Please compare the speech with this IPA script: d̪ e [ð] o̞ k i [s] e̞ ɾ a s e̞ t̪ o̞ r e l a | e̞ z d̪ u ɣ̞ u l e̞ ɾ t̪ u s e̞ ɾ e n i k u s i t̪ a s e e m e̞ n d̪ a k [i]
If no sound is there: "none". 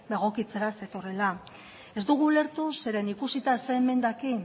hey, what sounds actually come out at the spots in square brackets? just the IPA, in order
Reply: ɣ, t͡s, i

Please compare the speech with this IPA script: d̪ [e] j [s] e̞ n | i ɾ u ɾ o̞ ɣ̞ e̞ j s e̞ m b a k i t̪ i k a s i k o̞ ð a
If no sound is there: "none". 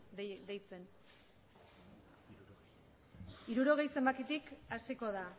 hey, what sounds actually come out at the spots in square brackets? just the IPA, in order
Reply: e, t͡s

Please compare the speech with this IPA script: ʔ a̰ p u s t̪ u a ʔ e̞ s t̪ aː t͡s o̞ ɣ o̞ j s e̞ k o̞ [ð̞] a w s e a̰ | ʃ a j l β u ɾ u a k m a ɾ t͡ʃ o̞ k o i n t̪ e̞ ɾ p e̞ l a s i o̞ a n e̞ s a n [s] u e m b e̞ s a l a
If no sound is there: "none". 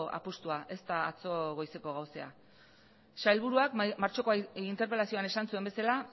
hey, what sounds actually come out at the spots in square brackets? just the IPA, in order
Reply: ɣ̞, s

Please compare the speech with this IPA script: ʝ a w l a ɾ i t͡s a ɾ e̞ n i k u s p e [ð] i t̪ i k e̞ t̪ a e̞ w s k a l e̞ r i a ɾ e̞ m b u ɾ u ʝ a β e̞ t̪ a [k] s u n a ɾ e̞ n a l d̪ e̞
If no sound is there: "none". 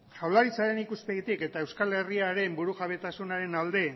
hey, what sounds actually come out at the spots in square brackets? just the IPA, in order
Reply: ɣ, none

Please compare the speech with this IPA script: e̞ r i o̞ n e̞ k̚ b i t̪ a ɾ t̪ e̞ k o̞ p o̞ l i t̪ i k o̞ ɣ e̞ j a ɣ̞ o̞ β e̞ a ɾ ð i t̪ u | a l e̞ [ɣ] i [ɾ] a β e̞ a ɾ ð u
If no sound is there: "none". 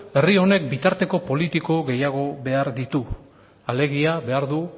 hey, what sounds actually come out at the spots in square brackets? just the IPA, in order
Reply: ɣ, none

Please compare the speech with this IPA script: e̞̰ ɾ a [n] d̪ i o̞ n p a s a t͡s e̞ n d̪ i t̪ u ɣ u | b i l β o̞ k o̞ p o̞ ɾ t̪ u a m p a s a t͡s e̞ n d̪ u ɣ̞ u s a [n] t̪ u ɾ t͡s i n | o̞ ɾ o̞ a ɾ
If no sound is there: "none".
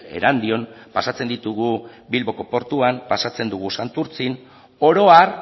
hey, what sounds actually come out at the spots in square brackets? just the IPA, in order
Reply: n, n

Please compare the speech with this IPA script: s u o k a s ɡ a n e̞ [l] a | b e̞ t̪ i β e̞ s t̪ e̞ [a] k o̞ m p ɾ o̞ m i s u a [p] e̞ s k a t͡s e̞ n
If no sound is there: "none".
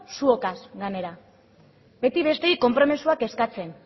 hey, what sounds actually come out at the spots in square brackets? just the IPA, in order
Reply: ɾ, i, k

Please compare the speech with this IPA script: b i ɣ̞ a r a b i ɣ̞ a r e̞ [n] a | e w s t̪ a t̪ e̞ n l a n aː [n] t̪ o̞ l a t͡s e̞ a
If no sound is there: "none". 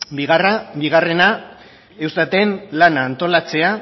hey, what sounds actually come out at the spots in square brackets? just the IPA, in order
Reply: n, n

